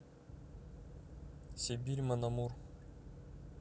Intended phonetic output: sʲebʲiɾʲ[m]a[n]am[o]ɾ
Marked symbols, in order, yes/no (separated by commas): yes, yes, no